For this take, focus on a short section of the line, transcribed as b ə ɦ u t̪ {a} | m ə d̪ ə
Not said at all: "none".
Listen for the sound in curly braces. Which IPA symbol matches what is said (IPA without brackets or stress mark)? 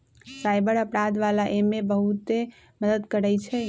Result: e